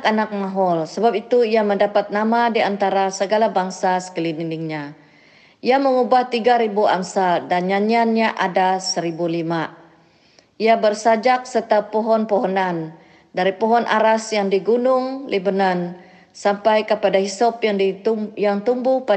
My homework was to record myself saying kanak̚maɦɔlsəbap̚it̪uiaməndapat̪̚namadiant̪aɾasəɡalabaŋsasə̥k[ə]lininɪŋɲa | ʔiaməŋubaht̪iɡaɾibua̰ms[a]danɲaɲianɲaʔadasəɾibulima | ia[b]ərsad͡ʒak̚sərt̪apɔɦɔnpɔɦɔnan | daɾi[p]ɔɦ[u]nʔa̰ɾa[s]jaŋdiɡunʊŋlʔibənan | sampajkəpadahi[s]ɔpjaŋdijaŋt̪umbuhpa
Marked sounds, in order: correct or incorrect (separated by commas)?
correct, correct, correct, correct, incorrect, correct, correct